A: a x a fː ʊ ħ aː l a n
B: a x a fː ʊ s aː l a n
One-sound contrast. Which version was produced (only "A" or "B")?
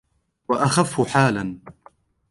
A